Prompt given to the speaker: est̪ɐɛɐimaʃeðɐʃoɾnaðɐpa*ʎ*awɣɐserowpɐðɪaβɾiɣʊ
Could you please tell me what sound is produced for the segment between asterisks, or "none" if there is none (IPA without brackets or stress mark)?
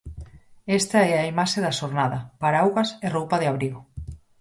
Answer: ɾ